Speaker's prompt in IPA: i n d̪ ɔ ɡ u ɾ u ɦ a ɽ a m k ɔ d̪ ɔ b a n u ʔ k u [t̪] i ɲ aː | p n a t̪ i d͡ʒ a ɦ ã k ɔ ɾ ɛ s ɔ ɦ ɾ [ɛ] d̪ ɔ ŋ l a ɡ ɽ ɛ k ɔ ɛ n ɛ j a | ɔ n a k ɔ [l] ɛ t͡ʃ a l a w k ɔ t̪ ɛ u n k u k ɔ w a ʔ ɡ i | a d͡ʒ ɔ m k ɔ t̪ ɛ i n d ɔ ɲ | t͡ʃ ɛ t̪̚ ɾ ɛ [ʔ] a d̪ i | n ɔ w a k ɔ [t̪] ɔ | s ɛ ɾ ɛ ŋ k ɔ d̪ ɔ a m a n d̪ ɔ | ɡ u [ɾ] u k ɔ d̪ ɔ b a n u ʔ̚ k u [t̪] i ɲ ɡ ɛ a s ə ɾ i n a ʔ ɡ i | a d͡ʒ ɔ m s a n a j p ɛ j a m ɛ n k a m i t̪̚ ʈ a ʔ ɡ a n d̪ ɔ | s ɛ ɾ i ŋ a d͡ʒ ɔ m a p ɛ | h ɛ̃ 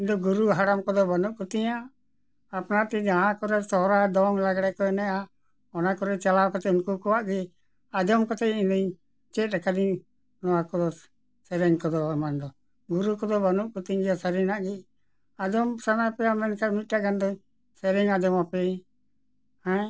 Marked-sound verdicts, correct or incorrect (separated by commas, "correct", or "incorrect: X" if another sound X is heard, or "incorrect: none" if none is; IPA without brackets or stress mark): correct, incorrect: a, incorrect: ɾ, incorrect: k, incorrect: d̪, correct, correct